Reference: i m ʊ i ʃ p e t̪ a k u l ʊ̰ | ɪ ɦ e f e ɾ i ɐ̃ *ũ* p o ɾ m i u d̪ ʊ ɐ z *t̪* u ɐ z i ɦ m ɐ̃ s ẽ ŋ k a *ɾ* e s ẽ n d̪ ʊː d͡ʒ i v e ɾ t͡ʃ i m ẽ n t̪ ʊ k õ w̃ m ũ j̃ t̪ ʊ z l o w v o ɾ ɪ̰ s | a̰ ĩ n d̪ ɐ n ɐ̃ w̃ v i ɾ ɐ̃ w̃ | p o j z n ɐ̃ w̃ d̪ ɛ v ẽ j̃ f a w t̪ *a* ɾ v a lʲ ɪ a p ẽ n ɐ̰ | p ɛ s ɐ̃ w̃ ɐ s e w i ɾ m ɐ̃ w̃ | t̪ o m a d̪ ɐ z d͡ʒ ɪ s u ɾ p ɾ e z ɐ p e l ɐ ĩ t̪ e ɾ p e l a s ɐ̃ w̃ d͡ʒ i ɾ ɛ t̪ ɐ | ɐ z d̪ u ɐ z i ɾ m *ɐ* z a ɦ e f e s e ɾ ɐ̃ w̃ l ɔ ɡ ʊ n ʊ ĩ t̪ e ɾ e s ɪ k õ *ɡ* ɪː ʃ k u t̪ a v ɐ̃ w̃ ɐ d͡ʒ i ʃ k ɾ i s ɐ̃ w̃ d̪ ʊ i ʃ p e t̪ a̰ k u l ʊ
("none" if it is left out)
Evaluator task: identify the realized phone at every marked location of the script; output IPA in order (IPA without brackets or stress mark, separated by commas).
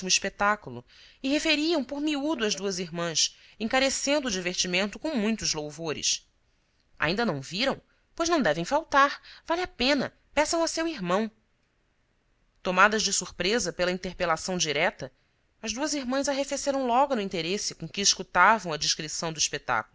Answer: w̃, d̪, ɾ, a, ɐ̃, k